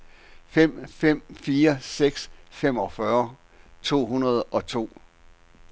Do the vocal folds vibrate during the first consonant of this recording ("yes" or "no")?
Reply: no